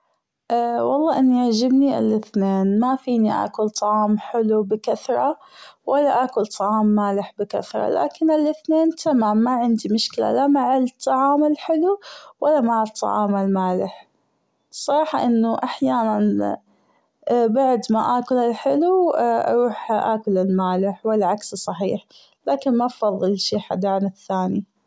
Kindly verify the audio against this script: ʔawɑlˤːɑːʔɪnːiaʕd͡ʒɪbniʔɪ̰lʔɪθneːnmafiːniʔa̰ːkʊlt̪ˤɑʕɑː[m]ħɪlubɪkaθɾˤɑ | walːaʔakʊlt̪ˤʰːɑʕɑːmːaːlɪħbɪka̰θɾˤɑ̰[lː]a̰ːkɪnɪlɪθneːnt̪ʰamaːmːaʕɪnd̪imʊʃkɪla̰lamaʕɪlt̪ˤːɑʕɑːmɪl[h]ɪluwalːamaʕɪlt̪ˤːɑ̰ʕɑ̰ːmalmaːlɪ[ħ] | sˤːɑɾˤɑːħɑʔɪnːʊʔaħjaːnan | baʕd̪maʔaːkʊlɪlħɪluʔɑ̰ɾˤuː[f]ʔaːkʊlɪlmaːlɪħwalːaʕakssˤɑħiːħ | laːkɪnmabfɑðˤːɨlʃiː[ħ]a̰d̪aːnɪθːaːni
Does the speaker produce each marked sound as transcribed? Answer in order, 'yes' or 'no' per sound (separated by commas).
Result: yes, no, no, yes, no, yes